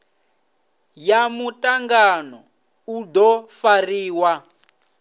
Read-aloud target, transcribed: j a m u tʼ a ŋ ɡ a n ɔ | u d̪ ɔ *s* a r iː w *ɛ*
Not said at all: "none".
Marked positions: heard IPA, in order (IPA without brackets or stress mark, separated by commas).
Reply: f, a